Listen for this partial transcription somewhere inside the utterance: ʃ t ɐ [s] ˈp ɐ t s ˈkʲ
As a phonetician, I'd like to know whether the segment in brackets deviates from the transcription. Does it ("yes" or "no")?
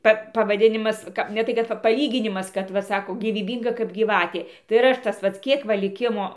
no